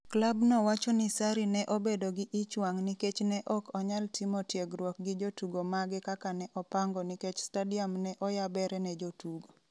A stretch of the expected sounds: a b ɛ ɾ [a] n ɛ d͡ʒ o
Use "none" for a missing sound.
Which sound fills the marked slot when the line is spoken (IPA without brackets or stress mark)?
ɛ